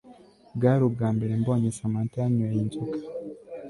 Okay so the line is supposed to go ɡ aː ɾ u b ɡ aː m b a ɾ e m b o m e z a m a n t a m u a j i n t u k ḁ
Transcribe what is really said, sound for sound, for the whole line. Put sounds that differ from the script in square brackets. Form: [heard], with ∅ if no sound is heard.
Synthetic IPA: ɡ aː ɾ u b ɡ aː m b [e] ɾ e m b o [ɲ] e [s] a m a n t a [ɲ] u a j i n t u k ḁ

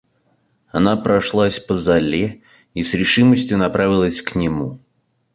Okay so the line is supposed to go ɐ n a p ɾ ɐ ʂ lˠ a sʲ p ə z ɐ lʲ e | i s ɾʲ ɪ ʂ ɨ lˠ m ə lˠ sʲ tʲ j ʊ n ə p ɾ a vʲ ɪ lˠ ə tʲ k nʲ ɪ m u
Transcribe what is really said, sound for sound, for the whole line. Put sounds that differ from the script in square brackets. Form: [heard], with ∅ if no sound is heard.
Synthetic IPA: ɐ n a p ɾ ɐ ʂ lˠ a sʲ p ə z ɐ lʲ e | i s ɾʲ ɪ ʂ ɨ [∅] m ə [∅] sʲ tʲ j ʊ n [ɐ] p ɾ a vʲ ɪ lˠ ə [sʲ] k nʲ ɪ m u

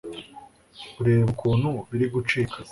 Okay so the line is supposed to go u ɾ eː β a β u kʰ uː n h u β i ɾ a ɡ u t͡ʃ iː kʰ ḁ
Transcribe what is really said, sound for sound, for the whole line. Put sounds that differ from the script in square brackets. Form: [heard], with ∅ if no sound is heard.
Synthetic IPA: u ɾ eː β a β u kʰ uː n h u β i ɾ [i] ɡ u t͡ʃ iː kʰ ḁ

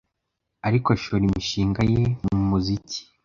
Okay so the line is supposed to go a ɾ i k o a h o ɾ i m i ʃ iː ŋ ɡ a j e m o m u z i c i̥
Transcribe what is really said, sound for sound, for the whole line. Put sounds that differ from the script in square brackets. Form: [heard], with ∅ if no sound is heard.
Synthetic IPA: a ɾ i k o a [ʃ] o ɾ i m i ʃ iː ŋ ɡ a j e m [u] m u z i c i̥

